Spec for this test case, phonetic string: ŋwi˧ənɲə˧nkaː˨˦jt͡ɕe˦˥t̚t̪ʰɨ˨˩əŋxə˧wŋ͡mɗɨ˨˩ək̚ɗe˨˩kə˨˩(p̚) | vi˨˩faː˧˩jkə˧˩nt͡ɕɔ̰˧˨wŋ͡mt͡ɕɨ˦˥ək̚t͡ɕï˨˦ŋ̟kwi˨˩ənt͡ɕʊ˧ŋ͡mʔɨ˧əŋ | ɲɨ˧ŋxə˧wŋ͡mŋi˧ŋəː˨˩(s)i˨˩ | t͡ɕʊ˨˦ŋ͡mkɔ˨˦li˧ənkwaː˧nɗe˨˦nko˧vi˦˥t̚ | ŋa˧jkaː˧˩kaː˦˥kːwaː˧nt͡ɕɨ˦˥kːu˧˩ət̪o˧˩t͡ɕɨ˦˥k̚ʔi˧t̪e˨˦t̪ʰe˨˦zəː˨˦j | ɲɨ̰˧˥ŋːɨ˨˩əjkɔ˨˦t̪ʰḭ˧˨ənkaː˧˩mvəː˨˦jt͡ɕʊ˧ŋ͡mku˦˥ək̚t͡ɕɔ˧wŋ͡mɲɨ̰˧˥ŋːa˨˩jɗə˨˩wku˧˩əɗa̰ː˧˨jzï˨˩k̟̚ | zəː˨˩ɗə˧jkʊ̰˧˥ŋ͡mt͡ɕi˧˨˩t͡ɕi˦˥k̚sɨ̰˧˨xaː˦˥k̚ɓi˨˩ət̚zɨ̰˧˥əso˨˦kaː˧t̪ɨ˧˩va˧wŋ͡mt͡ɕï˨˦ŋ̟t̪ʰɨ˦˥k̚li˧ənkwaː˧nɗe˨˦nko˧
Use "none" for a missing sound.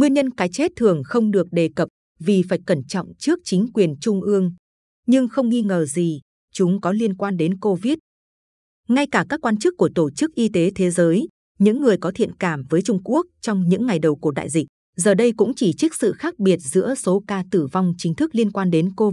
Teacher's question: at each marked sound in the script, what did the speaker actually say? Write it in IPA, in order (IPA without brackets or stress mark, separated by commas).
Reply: p̚, z